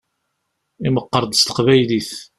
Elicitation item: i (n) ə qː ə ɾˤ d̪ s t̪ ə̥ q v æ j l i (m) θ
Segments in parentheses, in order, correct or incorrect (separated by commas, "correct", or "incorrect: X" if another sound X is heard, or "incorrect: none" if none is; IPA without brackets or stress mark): incorrect: m, incorrect: none